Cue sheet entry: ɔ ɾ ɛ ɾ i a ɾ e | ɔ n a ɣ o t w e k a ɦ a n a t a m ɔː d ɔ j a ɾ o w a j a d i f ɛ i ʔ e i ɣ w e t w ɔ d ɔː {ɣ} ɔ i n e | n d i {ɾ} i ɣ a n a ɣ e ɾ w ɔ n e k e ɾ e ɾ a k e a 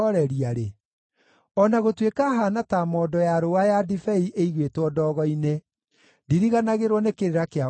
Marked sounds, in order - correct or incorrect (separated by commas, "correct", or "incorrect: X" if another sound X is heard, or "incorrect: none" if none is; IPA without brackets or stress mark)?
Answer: correct, correct